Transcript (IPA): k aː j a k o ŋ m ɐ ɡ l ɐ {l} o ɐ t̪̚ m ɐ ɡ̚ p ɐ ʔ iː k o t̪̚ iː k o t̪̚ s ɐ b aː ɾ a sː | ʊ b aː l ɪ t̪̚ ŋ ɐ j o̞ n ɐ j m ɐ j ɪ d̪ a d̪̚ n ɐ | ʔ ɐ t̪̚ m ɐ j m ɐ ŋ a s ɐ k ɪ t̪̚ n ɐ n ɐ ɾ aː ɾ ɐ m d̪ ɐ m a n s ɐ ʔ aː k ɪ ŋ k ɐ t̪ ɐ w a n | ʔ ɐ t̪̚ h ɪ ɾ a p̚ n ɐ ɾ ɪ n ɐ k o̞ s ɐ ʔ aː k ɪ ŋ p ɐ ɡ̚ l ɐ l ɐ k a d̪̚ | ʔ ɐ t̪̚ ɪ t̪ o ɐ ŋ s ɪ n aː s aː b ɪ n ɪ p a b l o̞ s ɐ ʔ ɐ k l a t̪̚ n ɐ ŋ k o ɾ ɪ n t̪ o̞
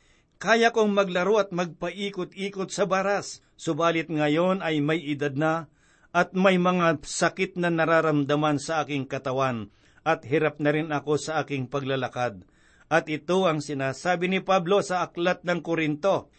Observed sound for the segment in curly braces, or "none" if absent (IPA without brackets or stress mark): ɾ